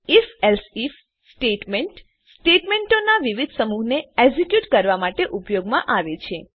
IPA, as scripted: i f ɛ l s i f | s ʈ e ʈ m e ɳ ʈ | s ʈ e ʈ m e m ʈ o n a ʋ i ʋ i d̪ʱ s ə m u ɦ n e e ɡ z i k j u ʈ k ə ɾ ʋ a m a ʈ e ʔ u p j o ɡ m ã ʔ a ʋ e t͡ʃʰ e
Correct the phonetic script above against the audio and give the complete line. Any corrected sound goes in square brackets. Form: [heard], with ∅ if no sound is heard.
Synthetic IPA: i f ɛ l s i f | s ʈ e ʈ m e ɳ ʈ | s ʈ e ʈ m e [ɳ] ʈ o n a ʋ i ʋ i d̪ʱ s ə m u ɦ n e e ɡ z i k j u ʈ k ə ɾ ʋ a m a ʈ e ʔ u p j o ɡ m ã ʔ a ʋ e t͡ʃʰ e